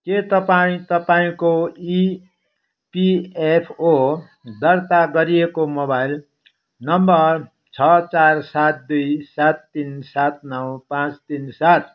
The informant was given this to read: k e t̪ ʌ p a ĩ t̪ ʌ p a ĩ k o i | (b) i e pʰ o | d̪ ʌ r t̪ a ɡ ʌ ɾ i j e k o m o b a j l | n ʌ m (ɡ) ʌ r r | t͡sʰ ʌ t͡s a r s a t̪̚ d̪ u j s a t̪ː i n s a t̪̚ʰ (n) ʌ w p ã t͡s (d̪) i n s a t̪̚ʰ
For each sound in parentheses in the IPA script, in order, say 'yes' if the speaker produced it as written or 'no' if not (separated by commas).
no, no, yes, no